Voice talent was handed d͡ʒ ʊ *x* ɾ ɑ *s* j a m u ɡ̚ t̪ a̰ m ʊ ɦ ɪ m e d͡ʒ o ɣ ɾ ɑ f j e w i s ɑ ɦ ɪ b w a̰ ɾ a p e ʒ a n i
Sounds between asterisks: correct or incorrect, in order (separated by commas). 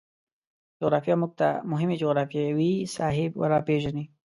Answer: incorrect, incorrect